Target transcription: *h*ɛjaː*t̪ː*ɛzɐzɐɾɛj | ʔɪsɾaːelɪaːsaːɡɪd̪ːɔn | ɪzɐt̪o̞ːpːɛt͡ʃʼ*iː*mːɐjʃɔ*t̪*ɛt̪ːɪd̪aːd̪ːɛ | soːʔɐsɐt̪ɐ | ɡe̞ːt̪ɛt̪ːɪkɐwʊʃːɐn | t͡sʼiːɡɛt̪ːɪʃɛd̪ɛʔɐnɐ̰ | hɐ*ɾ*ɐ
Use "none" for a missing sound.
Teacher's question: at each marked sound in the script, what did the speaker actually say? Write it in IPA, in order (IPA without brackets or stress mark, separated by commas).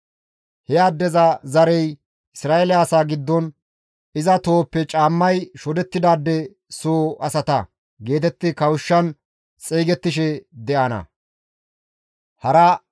h, d̪ː, aː, d̪, ɾ